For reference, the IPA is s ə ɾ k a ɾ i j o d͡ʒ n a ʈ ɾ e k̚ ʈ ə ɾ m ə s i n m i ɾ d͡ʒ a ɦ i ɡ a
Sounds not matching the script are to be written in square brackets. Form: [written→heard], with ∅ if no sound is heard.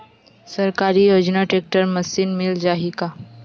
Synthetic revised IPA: s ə ɾ k a ɾ i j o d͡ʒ n a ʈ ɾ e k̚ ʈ ə ɾ m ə s i n m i [ɾ→l] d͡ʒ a ɦ i [ɡ→k] a